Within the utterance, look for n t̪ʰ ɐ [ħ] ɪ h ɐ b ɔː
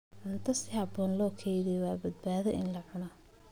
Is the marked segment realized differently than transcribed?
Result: yes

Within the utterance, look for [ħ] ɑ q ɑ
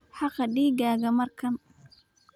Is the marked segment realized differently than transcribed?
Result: no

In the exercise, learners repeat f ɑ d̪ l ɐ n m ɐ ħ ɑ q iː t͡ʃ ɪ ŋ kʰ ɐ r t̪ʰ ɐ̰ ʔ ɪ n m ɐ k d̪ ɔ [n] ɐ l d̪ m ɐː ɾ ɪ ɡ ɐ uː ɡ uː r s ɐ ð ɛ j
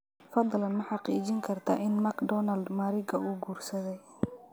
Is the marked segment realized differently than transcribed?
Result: no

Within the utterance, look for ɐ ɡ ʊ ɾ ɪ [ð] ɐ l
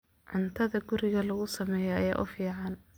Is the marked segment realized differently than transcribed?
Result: yes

